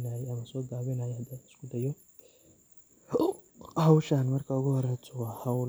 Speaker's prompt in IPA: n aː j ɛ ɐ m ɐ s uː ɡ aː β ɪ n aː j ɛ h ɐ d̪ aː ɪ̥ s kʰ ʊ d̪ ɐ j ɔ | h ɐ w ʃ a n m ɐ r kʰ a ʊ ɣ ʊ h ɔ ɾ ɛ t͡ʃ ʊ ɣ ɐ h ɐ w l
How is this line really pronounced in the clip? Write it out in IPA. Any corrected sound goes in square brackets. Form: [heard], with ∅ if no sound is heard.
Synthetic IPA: n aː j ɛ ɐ m ɐ s [ɔː] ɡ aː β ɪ n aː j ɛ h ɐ d̪ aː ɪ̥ s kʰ ʊ d̪ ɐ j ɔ | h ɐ w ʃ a n m ɐ r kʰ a ʊ ɣ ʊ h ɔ ɾ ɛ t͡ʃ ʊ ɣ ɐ h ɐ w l